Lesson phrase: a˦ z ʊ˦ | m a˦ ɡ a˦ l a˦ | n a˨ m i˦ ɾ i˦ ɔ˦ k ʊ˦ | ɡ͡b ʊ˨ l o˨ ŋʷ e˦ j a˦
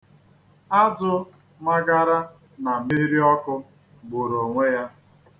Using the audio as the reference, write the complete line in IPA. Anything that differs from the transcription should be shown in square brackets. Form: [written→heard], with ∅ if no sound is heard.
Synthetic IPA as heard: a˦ z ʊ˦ | m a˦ ɡ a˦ [l→ɾ] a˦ | n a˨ m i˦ ɾ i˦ ɔ˦ k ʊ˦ | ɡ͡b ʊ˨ [l→ɾ] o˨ ŋʷ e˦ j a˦